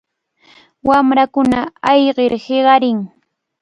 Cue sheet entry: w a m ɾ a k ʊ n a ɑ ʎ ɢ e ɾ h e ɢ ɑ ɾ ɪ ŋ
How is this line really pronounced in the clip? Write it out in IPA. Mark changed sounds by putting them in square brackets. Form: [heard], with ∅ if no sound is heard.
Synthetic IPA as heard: w a m ɾ a k ʊ n a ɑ [j] ɢ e ɾ h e ɢ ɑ ɾ ɪ ŋ